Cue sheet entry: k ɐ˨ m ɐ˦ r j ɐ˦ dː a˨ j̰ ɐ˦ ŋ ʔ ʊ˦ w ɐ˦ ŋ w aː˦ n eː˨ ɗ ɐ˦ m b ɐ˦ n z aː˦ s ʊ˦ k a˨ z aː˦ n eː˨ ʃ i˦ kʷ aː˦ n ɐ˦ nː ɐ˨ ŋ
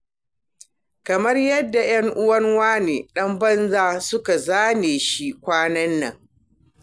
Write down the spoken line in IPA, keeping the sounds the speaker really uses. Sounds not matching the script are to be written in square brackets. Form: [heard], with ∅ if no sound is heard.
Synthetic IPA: k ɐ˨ m ɐ˦ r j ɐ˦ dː a˨ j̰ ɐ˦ ŋ ʔ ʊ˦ w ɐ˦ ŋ w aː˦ n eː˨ ɗ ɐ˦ m b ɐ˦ n z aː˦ s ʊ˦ k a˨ z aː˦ n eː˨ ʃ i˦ kʷ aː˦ n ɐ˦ nː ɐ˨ ŋ

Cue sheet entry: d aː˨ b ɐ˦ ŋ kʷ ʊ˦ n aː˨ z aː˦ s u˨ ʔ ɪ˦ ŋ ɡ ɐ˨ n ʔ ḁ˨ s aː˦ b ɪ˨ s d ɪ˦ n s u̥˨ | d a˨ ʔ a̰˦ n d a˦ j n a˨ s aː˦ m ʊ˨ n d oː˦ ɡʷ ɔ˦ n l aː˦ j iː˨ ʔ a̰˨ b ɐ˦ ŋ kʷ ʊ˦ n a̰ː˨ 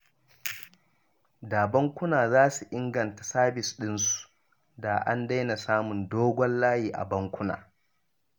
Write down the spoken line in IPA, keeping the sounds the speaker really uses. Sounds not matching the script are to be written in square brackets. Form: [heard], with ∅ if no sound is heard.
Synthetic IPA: d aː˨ b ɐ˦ ŋ kʷ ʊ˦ n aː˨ z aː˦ s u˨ ʔ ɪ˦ ŋ ɡ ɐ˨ n [t] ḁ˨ s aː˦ b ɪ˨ s [ɗ] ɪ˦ n s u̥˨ | d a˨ ʔ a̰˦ n d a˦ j n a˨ s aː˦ m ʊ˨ n d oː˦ ɡʷ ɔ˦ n l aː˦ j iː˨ ʔ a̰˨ b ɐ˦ ŋ kʷ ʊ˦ n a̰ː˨

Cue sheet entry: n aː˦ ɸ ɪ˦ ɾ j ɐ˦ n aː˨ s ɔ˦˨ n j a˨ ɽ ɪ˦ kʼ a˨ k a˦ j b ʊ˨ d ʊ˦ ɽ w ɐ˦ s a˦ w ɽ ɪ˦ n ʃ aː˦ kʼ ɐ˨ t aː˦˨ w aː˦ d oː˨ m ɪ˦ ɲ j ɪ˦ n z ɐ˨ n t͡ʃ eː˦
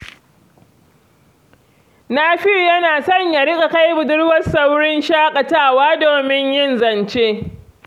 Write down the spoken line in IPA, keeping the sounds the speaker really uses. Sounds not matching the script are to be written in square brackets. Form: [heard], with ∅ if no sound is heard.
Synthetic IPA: n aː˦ ɸ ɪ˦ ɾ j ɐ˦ n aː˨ s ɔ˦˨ [ɲ] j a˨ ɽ ɪ˦ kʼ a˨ k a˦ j b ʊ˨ d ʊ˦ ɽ w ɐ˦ s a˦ w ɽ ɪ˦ n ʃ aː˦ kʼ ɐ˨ t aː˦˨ w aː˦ d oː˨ m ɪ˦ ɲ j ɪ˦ n z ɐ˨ n t͡ʃ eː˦

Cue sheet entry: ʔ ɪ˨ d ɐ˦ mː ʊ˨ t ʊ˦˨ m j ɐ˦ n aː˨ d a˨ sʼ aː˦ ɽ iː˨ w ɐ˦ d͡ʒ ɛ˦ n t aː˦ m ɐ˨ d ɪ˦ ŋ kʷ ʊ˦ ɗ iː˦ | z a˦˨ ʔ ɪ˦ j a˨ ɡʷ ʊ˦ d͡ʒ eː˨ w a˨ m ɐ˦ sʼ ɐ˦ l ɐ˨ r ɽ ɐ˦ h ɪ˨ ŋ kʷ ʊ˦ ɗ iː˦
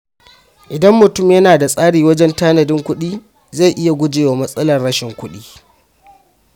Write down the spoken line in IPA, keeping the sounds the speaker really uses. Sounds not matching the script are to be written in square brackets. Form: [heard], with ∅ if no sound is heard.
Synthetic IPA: ʔ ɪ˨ d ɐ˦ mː ʊ˨ t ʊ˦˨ m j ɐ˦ n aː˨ d a˨ sʼ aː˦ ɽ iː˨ w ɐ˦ d͡ʒ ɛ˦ n t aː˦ [n] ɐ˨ d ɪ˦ ŋ kʷ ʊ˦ ɗ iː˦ | z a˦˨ ʔ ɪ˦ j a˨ ɡʷ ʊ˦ d͡ʒ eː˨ w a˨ m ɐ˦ sʼ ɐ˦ l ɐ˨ r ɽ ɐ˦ [ʃ] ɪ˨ ŋ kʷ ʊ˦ ɗ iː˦

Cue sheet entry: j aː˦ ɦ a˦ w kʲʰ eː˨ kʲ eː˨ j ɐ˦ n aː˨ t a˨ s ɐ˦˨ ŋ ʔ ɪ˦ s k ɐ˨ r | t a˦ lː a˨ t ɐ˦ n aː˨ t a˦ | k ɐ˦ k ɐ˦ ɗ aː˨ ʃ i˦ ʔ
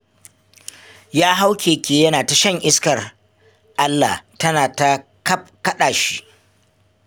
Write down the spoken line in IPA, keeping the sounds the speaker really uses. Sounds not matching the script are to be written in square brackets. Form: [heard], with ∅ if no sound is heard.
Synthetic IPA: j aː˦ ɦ a˦ w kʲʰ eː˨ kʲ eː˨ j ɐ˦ n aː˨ t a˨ [ʃ] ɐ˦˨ ŋ ʔ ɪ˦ s k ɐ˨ r | [ʔ] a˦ lː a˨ t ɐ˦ n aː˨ t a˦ | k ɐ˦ k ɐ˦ ɗ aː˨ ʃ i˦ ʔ

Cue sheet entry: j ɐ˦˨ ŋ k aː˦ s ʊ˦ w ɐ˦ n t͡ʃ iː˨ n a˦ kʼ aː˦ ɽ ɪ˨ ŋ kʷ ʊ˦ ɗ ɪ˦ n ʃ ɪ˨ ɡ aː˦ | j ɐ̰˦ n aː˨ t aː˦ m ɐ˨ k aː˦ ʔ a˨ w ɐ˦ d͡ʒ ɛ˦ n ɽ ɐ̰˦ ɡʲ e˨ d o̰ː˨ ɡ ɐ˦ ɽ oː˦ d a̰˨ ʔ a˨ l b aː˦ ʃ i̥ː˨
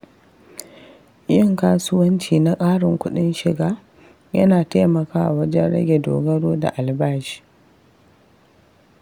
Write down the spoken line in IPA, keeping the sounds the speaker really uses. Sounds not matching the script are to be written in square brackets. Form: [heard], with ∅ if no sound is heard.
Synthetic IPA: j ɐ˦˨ ŋ k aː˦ s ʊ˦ w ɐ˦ n t͡ʃ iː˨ n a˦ kʼ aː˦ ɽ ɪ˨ ŋ kʷ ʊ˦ ɗ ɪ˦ n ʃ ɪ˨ ɡ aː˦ | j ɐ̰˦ n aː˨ t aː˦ m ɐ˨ k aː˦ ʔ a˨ w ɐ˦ d͡ʒ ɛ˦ n ɽ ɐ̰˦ ɡʲ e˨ d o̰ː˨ ɡ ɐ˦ ɽ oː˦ d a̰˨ ʔ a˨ l b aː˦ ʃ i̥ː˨

